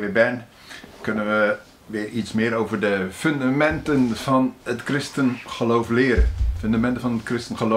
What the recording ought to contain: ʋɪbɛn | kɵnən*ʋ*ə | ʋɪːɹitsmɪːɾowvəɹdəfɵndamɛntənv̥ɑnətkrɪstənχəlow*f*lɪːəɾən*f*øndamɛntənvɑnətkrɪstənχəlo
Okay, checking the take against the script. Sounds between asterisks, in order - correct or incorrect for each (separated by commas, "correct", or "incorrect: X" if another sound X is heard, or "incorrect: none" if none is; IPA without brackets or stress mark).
correct, correct, correct